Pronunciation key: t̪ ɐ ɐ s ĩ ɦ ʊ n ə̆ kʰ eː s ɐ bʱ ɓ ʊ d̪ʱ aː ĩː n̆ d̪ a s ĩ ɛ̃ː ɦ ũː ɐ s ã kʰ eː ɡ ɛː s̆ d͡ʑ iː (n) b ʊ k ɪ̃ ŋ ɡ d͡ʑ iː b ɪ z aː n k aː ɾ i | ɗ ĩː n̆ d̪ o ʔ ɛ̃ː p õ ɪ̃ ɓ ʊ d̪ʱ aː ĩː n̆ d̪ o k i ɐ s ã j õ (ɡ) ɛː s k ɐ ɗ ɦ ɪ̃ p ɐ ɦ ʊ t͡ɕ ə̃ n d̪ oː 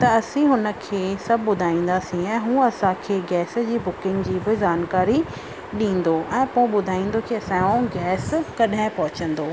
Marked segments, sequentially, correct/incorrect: incorrect: none, correct

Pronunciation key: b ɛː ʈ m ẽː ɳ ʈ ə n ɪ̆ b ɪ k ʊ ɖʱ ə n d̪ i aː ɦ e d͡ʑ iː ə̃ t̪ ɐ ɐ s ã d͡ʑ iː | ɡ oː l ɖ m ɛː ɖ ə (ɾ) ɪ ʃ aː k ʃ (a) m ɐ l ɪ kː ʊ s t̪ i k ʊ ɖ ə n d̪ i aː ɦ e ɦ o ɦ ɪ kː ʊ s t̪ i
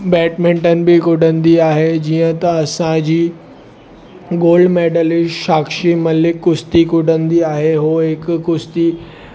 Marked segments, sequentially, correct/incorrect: incorrect: l, incorrect: i

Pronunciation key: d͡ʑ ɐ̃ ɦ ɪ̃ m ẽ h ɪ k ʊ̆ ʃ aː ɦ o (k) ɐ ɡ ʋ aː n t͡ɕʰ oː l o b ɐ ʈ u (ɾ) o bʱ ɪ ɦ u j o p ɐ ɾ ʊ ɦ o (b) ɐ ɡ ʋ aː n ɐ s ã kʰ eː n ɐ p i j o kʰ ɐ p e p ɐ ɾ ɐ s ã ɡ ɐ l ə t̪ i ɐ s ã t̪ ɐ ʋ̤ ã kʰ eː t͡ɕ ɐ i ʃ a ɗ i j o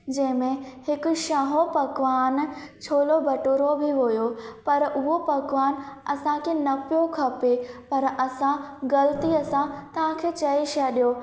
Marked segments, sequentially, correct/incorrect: incorrect: p, correct, incorrect: p

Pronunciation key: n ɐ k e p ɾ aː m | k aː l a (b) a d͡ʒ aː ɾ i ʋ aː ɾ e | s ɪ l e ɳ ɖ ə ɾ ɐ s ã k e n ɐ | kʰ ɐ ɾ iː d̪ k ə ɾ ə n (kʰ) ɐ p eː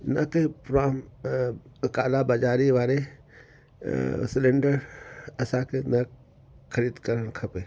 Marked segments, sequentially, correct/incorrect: correct, correct

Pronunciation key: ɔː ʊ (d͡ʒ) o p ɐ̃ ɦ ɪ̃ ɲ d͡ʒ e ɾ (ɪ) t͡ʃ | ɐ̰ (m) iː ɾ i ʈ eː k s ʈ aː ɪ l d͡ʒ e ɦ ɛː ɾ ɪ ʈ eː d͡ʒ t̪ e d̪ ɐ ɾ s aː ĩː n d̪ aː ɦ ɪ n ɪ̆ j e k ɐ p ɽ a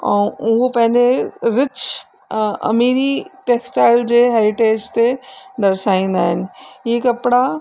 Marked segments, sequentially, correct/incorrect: incorrect: none, correct, correct

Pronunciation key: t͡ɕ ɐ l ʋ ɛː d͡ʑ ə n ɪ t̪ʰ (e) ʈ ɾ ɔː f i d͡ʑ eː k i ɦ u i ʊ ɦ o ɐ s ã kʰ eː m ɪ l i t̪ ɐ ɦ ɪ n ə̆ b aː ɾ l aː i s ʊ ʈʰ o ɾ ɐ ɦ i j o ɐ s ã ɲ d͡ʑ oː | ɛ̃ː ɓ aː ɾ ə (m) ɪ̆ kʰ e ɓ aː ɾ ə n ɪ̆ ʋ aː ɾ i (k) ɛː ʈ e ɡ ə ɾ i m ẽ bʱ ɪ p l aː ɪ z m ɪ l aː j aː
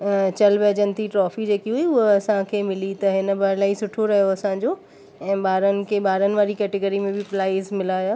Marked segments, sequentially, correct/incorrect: incorrect: i, incorrect: n, correct

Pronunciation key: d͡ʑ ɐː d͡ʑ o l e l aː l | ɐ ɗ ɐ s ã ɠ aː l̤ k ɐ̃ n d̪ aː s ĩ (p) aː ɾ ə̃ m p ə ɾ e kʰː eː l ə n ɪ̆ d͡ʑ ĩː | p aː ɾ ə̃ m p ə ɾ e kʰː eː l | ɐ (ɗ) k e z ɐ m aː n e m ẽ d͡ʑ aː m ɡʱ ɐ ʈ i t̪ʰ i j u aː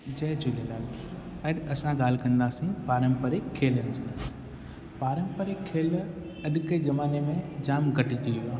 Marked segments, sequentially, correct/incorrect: correct, correct

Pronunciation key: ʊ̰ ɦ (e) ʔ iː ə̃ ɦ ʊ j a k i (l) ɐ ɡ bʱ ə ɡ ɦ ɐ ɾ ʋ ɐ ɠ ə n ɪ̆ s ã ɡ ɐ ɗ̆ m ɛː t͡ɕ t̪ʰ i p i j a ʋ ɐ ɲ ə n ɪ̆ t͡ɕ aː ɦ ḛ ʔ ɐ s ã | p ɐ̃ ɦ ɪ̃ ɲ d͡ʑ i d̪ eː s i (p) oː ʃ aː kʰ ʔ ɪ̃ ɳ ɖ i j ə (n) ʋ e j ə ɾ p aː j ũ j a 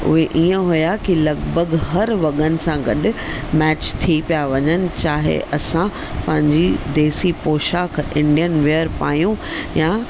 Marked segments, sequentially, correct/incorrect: correct, correct, correct, correct

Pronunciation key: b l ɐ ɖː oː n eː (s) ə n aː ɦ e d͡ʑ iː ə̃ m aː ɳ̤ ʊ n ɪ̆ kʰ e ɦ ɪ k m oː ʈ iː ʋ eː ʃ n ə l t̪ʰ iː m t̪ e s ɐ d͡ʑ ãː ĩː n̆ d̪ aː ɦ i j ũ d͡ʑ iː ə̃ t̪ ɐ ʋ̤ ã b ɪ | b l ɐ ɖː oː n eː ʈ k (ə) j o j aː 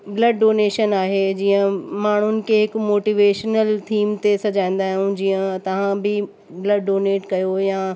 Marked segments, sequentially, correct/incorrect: incorrect: ʃ, incorrect: ɐ

